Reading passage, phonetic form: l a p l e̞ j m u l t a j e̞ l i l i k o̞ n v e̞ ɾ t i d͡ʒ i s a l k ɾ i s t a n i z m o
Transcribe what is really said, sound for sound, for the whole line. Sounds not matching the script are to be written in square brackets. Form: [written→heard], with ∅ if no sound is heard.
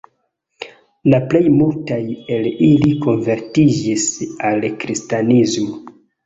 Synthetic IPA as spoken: l a p l e̞ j m u l t a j e̞ l i l i k o̞ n v e̞ ɾ t i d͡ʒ i s a l k ɾ i s t a n i z m o